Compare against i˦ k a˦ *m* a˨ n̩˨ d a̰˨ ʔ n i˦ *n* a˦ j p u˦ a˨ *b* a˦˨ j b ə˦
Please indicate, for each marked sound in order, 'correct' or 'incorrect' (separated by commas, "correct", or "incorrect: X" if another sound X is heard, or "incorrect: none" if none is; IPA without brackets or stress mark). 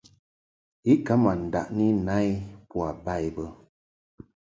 correct, correct, correct